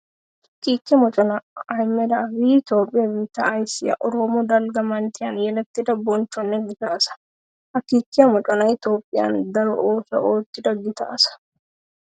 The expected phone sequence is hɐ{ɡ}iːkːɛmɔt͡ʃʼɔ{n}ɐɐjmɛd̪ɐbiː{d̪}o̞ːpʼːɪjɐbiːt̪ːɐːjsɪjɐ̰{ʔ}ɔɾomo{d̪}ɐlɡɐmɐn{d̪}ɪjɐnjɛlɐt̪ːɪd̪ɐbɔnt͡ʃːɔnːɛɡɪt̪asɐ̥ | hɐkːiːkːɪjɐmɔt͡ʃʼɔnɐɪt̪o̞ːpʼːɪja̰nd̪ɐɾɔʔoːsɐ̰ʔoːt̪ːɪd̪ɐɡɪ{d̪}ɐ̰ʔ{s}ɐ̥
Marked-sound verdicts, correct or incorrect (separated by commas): incorrect, correct, incorrect, correct, correct, incorrect, incorrect, correct